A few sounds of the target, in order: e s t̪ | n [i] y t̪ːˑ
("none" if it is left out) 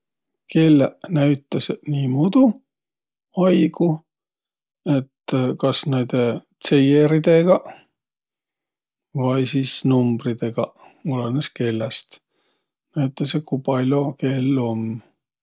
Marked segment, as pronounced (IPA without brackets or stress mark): æ